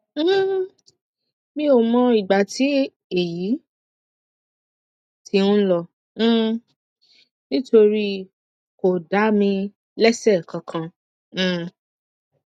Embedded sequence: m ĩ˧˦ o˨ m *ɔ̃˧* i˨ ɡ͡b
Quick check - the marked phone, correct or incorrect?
correct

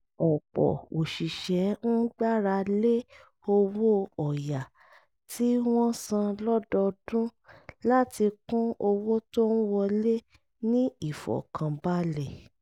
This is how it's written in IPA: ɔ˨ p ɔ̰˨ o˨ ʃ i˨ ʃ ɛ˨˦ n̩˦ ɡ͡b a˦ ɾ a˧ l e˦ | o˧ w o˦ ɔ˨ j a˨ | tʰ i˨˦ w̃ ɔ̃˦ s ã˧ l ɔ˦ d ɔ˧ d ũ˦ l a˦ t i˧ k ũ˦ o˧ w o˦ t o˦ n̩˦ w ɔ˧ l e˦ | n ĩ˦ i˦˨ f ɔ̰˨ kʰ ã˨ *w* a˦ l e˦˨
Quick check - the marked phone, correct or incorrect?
incorrect: b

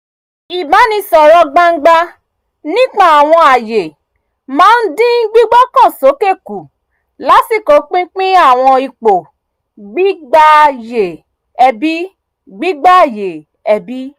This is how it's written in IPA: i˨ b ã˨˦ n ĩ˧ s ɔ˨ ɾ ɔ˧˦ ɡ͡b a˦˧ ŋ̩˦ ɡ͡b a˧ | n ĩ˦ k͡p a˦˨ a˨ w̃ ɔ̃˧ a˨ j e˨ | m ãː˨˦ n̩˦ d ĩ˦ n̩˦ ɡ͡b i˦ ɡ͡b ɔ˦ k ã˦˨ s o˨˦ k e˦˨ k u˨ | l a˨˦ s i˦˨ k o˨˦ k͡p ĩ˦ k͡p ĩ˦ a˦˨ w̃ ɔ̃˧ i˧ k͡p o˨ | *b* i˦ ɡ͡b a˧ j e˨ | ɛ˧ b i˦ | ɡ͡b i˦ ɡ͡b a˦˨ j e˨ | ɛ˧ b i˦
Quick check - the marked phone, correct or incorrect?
incorrect: ɡ͡b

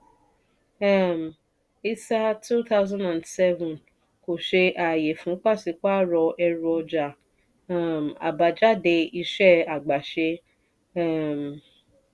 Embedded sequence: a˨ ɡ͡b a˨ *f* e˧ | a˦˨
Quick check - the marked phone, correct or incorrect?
incorrect: ʃ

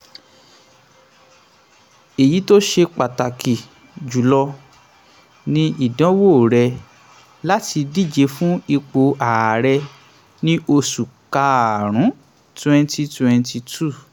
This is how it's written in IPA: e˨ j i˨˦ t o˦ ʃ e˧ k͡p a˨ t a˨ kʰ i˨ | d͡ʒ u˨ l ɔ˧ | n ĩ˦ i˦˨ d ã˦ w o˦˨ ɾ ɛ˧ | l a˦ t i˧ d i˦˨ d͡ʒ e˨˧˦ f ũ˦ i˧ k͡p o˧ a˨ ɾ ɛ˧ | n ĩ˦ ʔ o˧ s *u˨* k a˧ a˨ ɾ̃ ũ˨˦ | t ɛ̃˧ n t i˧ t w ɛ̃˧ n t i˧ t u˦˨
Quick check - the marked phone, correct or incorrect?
correct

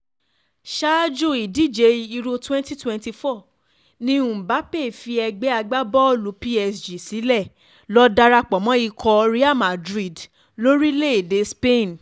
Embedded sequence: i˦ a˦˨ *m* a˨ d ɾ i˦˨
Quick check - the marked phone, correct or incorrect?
correct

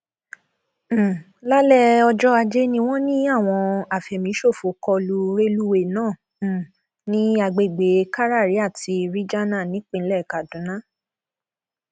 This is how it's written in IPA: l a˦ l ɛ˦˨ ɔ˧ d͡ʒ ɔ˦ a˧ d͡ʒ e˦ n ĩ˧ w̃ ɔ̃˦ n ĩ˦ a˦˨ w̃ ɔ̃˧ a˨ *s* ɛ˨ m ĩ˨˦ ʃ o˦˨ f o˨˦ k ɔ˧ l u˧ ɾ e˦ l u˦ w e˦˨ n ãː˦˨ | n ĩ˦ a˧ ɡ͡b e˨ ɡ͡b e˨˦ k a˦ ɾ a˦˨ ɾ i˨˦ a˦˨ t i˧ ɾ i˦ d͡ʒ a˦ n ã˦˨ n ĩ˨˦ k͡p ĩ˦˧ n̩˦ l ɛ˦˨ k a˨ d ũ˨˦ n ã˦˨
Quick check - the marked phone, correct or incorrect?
incorrect: f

